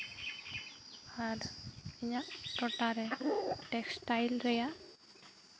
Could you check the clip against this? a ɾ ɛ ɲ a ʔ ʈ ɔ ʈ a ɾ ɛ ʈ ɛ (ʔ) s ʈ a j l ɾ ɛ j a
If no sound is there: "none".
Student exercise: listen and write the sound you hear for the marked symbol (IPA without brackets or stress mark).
k